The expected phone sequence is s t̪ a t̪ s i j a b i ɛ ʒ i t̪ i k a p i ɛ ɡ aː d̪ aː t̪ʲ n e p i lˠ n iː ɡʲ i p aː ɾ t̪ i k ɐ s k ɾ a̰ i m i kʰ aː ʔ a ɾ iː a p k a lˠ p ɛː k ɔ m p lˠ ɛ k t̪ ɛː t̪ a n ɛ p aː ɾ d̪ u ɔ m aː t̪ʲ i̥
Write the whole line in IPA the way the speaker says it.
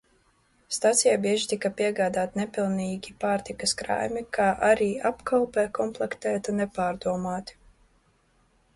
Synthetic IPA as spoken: s t̪ a t̪ s i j a b i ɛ ʒ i t̪ i k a p i ɛ ɡ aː d̪ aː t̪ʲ n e p i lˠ n iː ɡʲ i p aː ɾ t̪ i k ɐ s k ɾ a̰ j m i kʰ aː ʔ a ɾ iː a p k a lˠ p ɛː k ɔ m p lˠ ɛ k t̪ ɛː t̪ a n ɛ p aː ɾ d̪ u ɔ m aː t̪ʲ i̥